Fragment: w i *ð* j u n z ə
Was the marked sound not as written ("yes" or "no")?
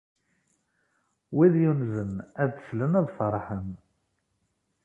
no